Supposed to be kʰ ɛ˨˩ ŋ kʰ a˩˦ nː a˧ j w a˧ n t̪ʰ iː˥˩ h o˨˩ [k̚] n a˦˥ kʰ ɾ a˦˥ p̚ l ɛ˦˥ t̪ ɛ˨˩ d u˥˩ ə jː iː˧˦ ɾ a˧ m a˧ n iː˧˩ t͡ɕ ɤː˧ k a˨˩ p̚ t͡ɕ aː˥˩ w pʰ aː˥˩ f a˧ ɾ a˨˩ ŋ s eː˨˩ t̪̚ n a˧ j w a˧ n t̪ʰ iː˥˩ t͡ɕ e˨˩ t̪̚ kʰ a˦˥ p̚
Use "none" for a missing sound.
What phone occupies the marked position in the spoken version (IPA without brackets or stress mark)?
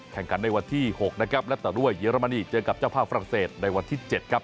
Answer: k̚